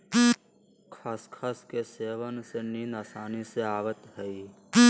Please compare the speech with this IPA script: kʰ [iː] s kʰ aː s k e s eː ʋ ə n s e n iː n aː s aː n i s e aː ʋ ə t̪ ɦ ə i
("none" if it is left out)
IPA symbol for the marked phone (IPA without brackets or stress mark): aː